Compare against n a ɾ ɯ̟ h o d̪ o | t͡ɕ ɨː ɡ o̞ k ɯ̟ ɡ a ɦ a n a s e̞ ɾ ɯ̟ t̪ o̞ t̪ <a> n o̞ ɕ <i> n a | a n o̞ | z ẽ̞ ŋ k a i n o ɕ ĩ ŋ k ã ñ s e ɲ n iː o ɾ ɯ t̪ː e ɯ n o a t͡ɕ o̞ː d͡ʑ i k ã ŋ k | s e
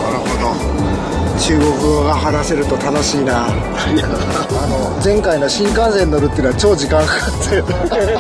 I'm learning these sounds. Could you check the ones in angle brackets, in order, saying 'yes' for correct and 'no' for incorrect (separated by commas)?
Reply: yes, no